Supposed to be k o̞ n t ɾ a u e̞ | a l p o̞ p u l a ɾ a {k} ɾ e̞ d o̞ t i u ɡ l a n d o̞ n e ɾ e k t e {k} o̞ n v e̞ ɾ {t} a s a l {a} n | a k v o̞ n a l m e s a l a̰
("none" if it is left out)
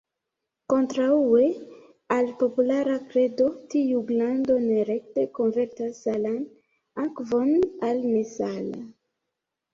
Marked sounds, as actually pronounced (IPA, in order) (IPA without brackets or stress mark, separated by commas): k, k, t, a